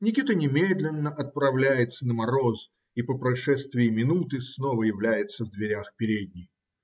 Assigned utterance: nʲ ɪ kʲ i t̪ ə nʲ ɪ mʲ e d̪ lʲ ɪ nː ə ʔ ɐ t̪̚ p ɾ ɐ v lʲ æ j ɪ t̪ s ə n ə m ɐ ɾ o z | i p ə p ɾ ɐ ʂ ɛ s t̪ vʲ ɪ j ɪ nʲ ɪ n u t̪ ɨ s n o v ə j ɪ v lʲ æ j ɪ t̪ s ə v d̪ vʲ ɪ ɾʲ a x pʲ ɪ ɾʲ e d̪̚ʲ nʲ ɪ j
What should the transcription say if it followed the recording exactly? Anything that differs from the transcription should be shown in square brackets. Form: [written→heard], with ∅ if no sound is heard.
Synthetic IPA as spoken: nʲ ɪ kʲ i t̪ ə nʲ ɪ mʲ e d̪ lʲ ɪ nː ə ʔ ɐ t̪̚ p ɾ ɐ v lʲ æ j ɪ t̪ s ə n ə m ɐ ɾ o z | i p ə p ɾ ɐ ʂ ɛ s t̪ vʲ ɪ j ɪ [nʲ→mʲ] ɪ n u t̪ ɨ s n o v ə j ɪ v lʲ æ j ɪ t̪ s ə v d̪ vʲ ɪ ɾʲ a x pʲ ɪ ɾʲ e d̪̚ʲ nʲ ɪ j